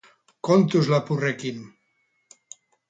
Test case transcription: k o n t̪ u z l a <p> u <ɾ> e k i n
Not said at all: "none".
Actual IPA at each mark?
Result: p, r

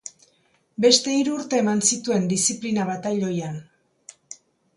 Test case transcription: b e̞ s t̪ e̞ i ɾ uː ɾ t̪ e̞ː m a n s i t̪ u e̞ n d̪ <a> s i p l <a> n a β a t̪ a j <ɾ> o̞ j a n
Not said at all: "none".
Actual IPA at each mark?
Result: i, i, ʎ

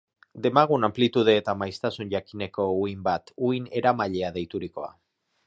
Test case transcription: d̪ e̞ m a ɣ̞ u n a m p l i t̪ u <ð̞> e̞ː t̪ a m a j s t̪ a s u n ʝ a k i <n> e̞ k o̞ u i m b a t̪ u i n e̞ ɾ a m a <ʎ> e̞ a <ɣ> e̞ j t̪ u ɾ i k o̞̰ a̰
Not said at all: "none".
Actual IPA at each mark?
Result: ð̞, n, ʎ, ð

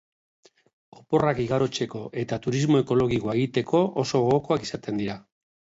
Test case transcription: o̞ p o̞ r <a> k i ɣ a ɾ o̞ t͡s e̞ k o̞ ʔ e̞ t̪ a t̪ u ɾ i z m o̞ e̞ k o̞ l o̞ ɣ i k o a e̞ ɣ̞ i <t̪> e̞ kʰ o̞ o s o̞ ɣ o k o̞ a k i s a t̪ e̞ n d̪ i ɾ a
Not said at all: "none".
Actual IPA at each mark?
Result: a, t̪

